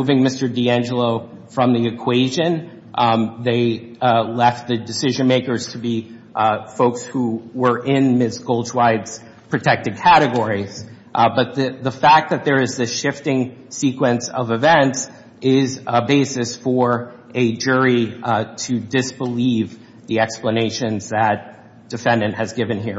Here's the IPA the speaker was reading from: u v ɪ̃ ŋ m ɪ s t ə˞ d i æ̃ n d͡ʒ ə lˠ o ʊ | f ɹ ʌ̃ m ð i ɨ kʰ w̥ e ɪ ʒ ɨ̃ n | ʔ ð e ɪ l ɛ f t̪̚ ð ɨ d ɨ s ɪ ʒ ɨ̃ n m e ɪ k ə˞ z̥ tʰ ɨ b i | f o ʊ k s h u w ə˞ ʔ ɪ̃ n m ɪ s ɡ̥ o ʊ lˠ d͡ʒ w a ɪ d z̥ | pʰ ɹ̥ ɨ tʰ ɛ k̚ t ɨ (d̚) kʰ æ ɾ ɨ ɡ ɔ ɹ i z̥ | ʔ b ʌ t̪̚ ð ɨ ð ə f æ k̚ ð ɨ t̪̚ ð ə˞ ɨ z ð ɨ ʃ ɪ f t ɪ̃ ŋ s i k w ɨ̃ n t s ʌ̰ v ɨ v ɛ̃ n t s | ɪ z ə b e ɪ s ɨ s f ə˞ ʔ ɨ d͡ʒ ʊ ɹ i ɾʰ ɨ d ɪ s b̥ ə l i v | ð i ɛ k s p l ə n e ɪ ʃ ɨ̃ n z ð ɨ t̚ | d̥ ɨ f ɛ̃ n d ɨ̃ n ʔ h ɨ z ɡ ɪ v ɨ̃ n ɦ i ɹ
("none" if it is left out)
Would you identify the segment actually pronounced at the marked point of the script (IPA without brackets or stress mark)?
d̚